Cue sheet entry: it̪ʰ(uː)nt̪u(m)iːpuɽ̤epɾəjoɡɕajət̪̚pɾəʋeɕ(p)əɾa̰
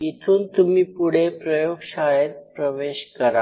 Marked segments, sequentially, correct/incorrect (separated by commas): correct, correct, incorrect